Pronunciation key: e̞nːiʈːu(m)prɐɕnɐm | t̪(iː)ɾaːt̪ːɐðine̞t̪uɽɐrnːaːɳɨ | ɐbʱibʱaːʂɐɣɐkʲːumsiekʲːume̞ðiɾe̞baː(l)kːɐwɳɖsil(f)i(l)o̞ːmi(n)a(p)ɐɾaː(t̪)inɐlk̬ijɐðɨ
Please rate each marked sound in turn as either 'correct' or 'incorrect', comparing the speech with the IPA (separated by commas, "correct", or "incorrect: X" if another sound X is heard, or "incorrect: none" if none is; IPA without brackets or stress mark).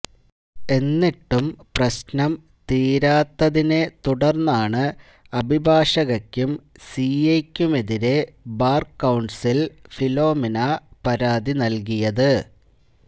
correct, correct, incorrect: r, correct, correct, correct, correct, incorrect: d̪